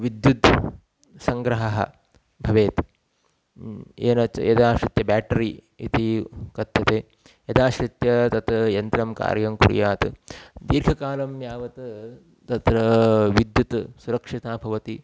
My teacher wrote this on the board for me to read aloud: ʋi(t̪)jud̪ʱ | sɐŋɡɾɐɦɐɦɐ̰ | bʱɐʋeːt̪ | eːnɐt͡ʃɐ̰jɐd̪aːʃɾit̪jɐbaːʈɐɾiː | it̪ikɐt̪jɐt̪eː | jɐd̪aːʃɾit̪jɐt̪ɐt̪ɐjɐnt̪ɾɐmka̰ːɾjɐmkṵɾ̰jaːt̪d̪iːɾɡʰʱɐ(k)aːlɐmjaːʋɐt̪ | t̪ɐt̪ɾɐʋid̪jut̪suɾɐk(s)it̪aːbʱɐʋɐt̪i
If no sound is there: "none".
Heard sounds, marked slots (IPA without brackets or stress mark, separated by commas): d̪, k, ʂ